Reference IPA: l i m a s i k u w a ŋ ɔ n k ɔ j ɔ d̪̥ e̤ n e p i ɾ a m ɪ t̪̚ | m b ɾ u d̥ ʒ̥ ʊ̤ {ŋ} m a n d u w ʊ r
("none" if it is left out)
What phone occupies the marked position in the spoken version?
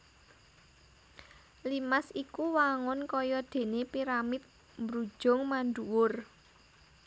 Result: ŋ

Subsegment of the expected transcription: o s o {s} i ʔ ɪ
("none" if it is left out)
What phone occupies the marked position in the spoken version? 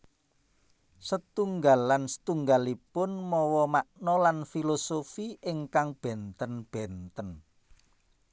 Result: f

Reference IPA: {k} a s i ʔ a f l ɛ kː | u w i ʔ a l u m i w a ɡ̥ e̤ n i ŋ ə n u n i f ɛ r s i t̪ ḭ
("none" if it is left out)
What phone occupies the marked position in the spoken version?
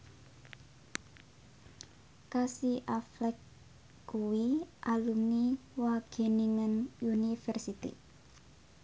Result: k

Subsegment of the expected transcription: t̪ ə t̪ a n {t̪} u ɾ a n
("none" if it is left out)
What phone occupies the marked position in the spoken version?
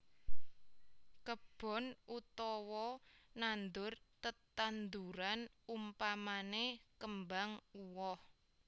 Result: d̪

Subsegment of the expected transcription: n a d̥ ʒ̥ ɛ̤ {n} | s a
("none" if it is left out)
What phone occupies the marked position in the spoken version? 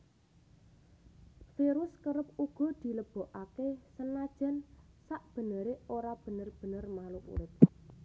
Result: n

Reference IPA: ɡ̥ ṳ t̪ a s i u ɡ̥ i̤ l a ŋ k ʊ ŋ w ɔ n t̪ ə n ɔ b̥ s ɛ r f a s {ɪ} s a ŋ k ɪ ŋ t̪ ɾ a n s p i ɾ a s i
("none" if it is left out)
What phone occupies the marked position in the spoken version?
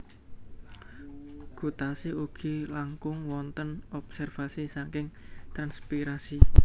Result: i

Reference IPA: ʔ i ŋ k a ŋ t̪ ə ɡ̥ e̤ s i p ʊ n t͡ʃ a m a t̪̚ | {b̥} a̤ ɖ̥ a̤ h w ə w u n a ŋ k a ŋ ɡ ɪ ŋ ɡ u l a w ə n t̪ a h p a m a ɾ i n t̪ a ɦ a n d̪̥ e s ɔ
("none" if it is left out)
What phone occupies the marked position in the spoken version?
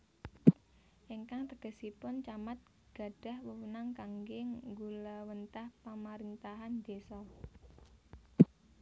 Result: ɡ̥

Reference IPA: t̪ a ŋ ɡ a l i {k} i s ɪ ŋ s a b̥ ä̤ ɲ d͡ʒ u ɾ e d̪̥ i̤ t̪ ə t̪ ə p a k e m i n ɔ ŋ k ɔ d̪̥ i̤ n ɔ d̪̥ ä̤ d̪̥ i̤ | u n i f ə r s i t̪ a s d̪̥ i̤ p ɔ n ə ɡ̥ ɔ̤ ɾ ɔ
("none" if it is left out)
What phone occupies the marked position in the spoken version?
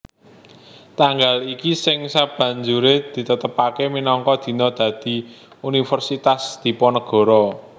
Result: k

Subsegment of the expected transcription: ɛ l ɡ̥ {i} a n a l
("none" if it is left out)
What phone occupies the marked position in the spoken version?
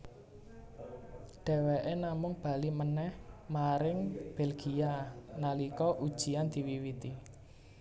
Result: i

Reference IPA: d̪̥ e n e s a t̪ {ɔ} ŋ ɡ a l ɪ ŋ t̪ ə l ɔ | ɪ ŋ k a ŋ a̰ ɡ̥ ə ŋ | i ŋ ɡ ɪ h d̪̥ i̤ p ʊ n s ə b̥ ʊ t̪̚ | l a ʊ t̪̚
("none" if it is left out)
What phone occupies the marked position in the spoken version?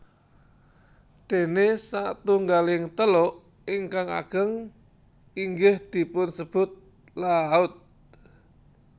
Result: u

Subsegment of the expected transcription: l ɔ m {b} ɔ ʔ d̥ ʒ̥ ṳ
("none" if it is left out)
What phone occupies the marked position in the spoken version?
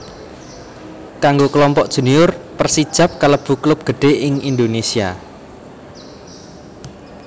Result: p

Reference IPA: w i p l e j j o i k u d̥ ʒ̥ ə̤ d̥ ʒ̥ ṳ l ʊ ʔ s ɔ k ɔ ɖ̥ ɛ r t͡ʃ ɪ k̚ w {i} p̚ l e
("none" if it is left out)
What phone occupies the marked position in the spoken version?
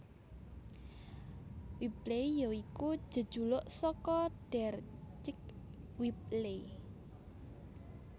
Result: i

